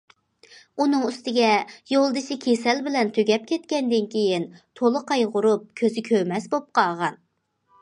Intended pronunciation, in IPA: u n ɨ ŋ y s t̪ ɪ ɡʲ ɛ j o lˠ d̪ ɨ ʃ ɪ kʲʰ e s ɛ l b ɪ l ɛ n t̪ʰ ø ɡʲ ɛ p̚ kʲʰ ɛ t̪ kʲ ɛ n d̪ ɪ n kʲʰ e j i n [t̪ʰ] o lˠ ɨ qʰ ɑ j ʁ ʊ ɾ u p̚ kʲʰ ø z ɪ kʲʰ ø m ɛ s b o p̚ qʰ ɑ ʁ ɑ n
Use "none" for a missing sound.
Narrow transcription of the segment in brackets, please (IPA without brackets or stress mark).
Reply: t̪ʰ